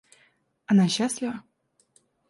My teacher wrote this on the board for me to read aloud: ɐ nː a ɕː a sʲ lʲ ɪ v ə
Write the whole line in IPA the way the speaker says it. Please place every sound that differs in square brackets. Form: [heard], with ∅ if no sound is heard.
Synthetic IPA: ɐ [n] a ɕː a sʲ lʲ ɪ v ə